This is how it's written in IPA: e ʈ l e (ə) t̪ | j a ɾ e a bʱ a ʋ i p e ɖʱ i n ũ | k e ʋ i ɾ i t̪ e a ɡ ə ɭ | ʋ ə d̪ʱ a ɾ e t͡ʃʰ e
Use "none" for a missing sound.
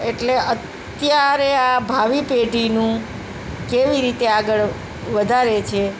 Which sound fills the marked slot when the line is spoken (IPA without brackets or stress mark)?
ə